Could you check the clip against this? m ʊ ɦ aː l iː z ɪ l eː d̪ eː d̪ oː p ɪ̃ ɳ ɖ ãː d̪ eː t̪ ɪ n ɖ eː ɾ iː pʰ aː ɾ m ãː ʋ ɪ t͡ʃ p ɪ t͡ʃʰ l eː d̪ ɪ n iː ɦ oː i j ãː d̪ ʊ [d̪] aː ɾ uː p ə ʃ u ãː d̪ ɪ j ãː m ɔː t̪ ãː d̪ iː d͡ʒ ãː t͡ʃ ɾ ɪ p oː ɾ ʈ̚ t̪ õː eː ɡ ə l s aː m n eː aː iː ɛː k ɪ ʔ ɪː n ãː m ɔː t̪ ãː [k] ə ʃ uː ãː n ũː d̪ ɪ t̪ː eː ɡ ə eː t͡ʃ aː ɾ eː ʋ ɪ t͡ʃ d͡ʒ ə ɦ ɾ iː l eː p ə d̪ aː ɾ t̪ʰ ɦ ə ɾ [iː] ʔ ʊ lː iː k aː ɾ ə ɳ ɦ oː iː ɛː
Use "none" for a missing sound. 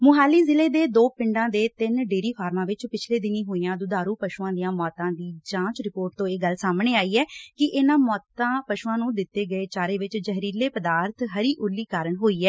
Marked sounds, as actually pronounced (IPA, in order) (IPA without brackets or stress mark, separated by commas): d̪, p, iː